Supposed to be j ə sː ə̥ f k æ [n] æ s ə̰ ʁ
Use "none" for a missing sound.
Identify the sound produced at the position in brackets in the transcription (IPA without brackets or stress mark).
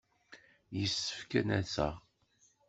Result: n